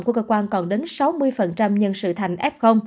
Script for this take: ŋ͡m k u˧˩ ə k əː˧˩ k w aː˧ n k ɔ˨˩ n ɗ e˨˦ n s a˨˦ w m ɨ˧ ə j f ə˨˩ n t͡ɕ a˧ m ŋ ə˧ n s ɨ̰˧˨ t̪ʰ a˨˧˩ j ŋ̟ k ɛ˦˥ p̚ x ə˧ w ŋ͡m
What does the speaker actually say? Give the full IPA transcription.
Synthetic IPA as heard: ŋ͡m k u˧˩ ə k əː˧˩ k w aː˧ n k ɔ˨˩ n ɗ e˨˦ n s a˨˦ w m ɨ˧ ə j f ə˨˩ n t͡ɕ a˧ m ɲ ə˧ n s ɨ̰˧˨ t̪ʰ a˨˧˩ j ŋ̟ ʔ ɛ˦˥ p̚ x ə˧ w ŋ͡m